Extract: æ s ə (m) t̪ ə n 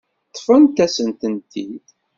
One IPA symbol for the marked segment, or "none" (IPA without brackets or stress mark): n